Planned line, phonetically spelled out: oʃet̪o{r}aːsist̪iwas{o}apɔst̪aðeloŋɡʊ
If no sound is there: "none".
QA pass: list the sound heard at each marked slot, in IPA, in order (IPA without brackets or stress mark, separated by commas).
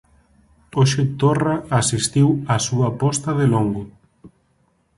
r, u